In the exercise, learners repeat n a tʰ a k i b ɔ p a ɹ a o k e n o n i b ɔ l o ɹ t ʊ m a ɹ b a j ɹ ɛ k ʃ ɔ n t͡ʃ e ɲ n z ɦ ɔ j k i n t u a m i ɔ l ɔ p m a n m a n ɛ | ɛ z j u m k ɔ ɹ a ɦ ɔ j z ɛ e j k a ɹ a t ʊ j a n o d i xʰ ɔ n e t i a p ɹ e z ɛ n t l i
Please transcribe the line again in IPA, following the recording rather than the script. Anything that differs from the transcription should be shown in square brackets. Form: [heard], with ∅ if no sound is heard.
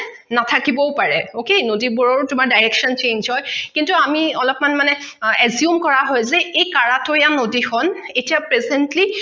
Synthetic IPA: n a tʰ a k i b ɔ p a ɹ [ɛ] o k e n o [d] i b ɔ [ɹ] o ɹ t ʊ m a ɹ [d] a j ɹ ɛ k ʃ ɔ n t͡ʃ e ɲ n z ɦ ɔ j k i n t u a m i ɔ l ɔ p m a n m a n ɛ | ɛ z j u m k ɔ ɹ a ɦ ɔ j z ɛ e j k a ɹ a t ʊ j a n o d i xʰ ɔ n e t i a p ɹ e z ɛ n t l i